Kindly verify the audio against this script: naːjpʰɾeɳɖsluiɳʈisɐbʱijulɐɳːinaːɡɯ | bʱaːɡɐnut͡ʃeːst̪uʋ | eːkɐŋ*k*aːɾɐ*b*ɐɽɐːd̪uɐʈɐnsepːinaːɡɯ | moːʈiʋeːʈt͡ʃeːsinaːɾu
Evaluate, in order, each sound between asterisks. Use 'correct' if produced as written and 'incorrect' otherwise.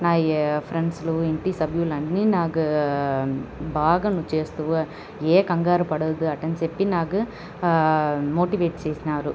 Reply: incorrect: ɡ, incorrect: p

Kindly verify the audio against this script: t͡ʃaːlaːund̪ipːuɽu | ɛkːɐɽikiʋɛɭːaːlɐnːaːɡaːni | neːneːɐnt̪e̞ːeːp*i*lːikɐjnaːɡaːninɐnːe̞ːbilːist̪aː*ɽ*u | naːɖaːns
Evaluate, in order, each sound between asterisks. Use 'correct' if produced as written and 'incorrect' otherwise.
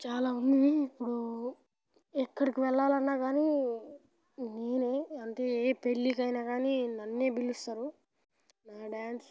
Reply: incorrect: e, incorrect: ɾ

